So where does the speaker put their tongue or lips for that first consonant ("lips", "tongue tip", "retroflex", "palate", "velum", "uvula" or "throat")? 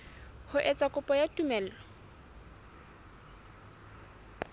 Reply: throat